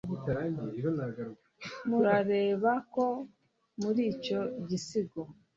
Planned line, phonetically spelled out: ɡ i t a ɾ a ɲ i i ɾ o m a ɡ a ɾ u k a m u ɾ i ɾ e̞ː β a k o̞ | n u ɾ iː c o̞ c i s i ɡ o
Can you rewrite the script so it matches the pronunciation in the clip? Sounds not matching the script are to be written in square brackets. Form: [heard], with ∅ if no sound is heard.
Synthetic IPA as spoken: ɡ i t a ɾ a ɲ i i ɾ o [n] a ɡ a ɾ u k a m u ɾ [a] ɾ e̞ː β a k o̞ | [m] u ɾ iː c o̞ [ɟ] i s i ɡ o